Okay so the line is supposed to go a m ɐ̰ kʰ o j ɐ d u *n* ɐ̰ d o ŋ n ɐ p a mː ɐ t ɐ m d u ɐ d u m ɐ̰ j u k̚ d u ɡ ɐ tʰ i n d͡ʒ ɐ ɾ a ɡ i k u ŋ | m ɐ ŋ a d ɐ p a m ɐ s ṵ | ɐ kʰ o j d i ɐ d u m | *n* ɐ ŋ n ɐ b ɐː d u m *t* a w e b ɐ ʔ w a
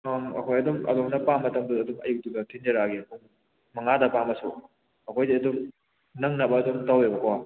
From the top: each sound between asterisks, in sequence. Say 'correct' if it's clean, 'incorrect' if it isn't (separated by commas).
incorrect, correct, correct